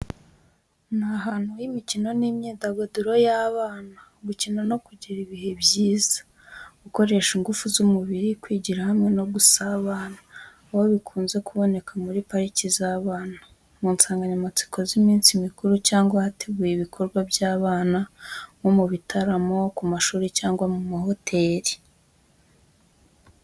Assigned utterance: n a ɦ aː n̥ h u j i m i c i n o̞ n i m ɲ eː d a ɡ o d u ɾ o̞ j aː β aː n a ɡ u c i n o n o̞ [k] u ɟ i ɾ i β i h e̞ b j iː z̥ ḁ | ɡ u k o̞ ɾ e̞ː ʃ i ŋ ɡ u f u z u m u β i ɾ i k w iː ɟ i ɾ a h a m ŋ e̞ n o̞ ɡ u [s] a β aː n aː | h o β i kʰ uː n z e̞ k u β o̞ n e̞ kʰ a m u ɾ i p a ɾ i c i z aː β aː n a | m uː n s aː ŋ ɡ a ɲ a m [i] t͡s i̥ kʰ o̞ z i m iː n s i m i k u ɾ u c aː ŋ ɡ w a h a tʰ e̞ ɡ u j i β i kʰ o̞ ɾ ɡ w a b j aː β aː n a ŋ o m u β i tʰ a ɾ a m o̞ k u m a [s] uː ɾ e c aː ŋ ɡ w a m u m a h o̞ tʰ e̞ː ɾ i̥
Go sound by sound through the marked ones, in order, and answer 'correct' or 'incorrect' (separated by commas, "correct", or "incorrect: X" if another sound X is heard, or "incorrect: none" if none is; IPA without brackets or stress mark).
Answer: correct, correct, incorrect: a, incorrect: ʃ